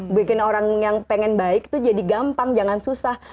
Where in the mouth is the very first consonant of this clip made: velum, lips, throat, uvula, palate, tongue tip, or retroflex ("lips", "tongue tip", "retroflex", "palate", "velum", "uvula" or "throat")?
lips